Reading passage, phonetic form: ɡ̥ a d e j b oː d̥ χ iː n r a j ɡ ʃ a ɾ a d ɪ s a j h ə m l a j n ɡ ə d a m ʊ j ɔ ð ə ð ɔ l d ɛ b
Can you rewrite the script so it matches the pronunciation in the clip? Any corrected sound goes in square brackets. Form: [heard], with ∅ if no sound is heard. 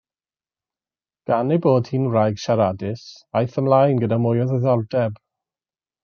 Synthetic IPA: ɡ̥ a [n] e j b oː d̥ [h] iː n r a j ɡ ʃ a ɾ a d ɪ s a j [θ] ə m l a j n ɡ ə d a m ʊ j ɔ ð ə ð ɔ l d ɛ b